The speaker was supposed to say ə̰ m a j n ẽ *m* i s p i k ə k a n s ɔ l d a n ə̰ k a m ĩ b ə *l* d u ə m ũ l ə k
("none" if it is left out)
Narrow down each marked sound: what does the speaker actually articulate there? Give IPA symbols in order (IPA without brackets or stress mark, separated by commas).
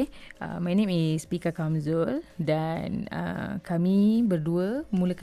m, r